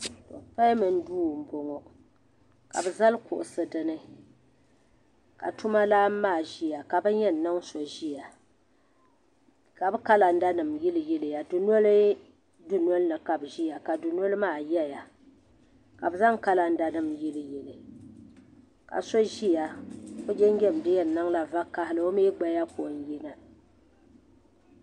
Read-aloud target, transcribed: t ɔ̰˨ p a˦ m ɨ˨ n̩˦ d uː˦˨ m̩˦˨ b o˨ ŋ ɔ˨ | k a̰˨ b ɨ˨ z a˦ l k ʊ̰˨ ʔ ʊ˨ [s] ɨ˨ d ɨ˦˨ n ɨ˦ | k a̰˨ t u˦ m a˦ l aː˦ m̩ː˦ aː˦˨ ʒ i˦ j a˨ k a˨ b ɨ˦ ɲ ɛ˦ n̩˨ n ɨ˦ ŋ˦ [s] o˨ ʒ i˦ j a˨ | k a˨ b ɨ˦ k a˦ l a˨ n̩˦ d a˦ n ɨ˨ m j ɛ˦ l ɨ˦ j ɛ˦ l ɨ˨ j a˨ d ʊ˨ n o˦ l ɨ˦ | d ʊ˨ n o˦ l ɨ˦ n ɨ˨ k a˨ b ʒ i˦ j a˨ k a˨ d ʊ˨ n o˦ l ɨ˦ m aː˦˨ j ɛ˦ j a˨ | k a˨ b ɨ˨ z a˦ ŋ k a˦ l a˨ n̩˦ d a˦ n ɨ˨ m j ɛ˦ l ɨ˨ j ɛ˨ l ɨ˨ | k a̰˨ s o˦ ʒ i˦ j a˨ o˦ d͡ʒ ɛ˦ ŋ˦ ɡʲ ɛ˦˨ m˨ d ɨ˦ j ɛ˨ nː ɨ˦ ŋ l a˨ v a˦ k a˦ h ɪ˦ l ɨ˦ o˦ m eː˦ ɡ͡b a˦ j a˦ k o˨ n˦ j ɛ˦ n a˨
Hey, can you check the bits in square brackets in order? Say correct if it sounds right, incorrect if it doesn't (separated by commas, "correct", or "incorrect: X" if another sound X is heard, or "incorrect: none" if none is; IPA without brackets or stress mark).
correct, correct